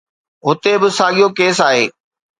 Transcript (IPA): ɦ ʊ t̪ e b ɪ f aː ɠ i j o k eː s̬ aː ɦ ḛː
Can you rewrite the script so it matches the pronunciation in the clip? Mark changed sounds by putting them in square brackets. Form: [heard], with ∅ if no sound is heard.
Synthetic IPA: ɦ ʊ t̪ e b ɪ [s] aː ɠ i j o k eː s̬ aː ɦ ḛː